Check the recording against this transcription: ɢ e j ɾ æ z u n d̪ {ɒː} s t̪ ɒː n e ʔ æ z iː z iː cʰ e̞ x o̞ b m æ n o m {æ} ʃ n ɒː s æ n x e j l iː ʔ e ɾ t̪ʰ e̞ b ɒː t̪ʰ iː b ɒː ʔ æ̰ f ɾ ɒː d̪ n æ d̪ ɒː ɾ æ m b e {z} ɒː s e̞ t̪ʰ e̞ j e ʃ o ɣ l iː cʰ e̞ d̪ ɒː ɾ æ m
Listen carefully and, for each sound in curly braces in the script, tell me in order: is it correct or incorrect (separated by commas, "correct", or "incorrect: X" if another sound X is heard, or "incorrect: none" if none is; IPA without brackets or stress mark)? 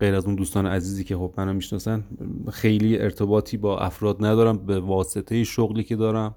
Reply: incorrect: uː, incorrect: i, incorrect: v